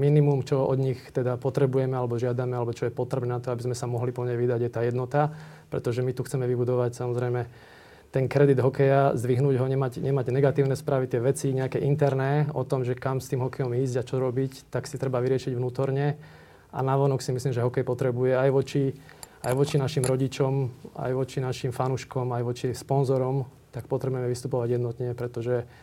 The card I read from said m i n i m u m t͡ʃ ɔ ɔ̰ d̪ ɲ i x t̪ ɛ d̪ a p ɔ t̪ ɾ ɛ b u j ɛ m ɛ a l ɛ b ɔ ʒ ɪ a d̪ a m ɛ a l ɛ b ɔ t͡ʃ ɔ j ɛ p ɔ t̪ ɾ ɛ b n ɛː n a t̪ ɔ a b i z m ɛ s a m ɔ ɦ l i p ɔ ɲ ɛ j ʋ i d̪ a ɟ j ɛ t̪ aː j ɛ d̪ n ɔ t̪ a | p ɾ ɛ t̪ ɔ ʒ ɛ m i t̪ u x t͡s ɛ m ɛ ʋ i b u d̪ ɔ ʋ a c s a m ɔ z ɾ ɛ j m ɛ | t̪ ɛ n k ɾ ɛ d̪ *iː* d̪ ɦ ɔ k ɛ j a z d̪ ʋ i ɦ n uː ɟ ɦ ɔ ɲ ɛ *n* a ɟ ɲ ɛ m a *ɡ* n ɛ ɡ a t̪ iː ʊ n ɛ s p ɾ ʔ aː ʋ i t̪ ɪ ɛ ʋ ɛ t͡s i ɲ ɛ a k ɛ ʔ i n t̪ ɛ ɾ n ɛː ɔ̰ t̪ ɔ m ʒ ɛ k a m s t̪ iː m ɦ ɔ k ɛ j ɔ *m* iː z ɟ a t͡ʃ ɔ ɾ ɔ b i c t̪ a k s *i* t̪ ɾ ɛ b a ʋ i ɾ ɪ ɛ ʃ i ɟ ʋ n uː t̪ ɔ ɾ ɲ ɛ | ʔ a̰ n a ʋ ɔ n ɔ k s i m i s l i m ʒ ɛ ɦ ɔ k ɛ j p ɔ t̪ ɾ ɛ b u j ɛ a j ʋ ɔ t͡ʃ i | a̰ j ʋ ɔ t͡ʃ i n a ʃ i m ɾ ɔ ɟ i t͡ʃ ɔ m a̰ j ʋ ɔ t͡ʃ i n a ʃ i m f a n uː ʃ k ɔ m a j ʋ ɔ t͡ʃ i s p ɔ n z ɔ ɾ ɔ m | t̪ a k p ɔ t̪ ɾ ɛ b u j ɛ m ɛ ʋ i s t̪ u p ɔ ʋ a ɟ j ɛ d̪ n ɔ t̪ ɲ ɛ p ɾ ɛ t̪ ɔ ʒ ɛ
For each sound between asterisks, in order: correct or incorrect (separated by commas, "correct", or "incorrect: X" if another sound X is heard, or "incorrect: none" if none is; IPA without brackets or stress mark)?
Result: incorrect: i, incorrect: m, incorrect: ɟ, correct, correct